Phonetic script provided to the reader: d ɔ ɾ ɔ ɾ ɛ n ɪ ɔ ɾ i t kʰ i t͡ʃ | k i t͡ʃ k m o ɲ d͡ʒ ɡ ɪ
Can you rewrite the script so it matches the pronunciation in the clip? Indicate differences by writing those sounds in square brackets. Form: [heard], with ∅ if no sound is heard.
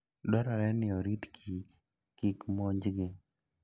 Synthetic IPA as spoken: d ɔ ɾ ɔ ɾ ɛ n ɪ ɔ ɾ i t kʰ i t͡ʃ | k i [∅] k m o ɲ d͡ʒ ɡ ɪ